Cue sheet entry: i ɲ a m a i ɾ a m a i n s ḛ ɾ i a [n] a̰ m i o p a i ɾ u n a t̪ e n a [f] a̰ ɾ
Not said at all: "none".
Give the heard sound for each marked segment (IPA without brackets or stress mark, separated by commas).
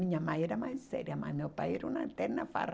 m, f